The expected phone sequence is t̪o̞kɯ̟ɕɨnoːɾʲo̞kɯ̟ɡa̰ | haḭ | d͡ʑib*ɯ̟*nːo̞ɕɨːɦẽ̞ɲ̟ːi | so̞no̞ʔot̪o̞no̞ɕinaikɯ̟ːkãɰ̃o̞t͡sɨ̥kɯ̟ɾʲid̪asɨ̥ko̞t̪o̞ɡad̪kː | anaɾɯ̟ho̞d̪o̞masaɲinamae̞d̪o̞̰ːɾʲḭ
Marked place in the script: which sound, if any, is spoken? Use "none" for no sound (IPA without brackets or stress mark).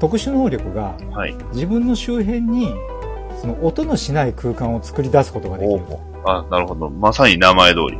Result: ɯ̟̃